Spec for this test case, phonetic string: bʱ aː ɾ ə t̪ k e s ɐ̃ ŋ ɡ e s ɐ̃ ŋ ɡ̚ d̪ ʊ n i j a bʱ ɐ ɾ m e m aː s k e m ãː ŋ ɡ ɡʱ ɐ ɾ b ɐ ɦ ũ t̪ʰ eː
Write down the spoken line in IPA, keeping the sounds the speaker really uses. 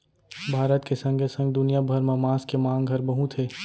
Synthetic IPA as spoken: bʱ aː ɾ ə t̪ k e s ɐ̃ ŋ ɡ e s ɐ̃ ŋ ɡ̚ d̪ ʊ n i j a bʱ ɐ ɾ m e m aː s k e m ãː ŋ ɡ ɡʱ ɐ ɾ b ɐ ɦ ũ t̪ʰ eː